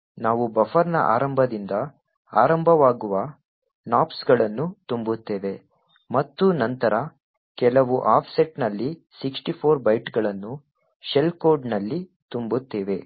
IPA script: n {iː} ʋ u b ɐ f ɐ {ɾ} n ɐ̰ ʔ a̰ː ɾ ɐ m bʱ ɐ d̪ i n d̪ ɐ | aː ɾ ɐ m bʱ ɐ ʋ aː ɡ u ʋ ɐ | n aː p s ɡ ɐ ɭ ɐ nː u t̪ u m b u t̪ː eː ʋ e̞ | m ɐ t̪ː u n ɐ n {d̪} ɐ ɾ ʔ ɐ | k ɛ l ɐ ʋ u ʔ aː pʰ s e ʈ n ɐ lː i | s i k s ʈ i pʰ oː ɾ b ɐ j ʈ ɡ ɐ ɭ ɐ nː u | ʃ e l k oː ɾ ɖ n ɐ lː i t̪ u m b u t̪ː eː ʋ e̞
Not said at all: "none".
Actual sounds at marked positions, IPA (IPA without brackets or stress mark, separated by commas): aː, ɾ, t̪